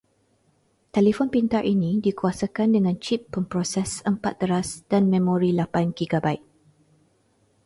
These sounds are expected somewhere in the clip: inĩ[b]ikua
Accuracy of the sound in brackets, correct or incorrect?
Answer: incorrect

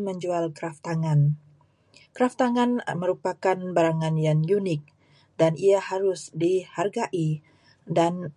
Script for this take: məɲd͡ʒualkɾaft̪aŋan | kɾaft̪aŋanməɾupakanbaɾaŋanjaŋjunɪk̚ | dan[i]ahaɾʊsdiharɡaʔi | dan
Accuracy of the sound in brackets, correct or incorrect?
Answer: correct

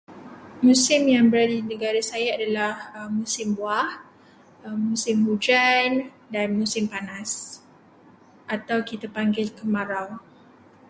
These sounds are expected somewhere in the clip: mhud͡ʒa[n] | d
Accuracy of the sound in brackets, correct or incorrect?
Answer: correct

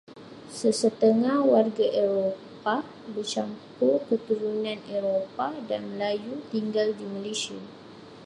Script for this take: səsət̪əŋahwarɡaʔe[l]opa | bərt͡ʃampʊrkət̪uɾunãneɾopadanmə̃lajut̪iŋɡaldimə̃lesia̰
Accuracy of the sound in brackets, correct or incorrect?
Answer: incorrect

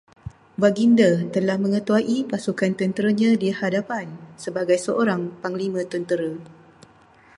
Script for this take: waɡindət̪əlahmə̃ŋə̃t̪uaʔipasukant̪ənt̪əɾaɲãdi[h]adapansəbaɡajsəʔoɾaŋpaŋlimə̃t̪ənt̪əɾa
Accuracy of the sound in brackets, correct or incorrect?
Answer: correct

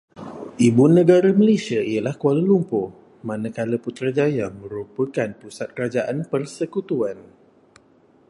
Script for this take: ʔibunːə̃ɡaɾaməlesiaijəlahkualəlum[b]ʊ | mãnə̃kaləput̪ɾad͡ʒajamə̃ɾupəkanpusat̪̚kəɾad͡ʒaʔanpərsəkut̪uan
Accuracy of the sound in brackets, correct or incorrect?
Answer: incorrect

